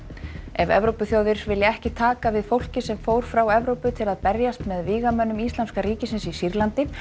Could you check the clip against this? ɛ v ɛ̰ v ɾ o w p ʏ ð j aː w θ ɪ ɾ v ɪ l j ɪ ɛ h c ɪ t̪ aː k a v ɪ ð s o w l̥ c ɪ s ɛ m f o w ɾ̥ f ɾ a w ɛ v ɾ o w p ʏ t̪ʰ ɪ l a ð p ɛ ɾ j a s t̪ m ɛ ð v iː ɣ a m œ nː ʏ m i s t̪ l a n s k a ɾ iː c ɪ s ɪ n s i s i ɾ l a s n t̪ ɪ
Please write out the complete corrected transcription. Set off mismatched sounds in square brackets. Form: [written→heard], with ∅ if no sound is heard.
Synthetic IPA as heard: ɛ v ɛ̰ v ɾ o w p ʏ [ð→θ] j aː w [θ→ð] ɪ ɾ v ɪ l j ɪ ɛ h c ɪ [t̪→t̪ʰ] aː k a v ɪ ð [s→f] o w l̥ c ɪ s ɛ m f o w ɾ̥ f ɾ a w ɛ v ɾ o w p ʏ t̪ʰ ɪ l a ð p ɛ ɾ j a s t̪ m ɛ ð v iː ɣ a m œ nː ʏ m i s t̪ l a n s k a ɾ iː c ɪ s ɪ n s i s i ɾ l a [s→∅] n t̪ ɪ